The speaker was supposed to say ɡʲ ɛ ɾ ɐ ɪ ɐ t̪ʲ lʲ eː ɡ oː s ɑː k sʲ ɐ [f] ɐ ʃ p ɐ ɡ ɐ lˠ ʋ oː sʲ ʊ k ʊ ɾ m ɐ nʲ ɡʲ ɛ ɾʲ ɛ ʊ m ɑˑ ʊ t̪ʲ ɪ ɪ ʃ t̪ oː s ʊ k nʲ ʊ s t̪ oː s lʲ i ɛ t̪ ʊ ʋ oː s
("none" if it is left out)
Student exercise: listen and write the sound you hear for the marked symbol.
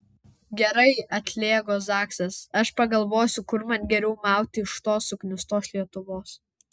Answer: s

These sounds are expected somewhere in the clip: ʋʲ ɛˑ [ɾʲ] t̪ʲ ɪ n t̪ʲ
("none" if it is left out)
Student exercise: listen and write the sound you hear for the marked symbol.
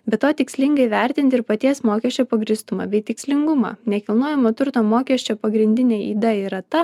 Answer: ɾʲ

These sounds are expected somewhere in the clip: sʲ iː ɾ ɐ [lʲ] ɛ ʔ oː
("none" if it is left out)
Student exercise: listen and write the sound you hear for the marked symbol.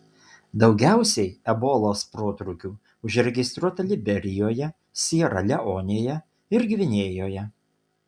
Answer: lʲ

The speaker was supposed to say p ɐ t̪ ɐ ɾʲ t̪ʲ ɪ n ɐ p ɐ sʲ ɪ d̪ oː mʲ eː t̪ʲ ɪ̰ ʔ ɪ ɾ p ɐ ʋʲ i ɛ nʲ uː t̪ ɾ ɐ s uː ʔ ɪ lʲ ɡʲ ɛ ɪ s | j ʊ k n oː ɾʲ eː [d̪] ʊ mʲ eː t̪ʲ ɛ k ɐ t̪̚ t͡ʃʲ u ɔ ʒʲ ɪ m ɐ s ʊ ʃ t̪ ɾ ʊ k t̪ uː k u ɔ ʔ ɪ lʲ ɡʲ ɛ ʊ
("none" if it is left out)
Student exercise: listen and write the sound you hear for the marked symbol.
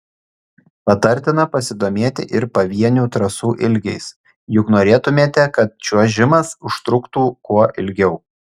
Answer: t̪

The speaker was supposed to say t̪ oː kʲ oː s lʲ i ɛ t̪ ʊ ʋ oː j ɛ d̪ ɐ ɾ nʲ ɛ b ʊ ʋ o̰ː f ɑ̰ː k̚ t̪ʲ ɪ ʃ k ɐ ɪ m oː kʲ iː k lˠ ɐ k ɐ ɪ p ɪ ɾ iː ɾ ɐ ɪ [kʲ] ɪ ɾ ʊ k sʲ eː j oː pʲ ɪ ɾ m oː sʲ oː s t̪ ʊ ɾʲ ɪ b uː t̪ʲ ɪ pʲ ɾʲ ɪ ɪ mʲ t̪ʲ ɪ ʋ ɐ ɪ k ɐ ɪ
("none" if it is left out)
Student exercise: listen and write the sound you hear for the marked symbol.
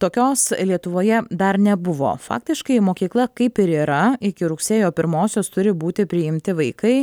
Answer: kʲ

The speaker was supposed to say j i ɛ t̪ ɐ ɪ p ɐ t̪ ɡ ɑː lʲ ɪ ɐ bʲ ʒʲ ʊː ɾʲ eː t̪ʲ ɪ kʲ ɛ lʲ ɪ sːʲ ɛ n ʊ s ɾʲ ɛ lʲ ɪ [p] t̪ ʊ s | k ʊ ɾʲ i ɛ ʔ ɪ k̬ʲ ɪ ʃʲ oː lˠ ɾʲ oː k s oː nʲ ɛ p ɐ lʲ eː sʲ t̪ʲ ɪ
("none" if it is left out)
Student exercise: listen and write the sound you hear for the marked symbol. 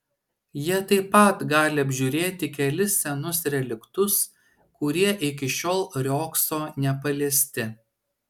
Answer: k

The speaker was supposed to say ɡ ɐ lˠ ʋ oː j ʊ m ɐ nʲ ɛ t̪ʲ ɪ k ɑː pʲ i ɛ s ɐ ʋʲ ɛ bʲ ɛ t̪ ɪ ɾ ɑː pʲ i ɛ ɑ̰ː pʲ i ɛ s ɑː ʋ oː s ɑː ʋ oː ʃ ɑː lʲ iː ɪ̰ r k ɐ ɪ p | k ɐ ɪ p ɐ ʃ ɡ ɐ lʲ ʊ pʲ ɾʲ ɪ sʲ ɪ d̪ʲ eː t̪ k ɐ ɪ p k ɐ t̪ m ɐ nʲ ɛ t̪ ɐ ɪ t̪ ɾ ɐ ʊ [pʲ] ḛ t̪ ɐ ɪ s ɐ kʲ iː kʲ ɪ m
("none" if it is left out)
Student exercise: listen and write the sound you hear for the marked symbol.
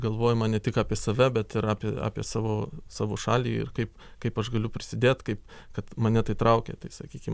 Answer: kʲ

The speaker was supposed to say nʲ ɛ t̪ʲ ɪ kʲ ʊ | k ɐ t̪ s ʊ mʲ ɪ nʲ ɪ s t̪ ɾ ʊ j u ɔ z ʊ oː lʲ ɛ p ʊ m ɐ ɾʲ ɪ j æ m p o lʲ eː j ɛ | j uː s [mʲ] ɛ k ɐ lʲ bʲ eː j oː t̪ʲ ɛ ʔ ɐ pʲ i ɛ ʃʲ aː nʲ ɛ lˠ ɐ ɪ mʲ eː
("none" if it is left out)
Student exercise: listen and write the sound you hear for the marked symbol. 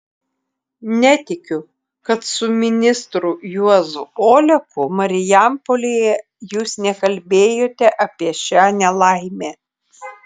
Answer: nʲ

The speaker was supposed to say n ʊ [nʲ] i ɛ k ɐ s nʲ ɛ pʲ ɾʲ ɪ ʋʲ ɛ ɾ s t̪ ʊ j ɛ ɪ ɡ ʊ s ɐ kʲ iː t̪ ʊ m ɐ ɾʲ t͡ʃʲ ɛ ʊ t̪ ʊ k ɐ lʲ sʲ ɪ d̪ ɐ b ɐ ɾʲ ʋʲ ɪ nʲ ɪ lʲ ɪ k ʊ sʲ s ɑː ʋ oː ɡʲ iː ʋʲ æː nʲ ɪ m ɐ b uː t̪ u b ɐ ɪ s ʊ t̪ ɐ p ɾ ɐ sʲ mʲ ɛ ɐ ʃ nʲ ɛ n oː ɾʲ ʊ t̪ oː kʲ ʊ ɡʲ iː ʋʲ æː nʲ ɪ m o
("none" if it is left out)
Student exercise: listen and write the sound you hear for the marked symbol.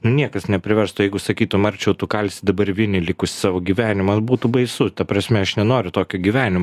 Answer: nʲ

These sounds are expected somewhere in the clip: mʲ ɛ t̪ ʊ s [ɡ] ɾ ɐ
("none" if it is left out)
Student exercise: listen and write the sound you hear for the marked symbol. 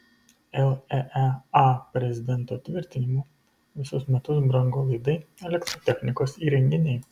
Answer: b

